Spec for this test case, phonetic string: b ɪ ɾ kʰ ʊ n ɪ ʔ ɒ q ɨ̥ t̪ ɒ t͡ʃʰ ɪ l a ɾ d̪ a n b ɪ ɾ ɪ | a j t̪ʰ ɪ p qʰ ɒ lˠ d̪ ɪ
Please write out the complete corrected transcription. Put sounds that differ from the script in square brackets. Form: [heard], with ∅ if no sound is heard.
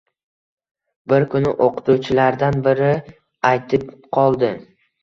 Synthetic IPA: b ɪ ɾ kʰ ʊ n ɪ ʔ [o] q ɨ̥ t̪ [u] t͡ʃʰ ɪ l a ɾ d̪ a n b ɪ ɾ ɪ | a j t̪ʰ ɪ p qʰ ɒ lˠ d̪ ɪ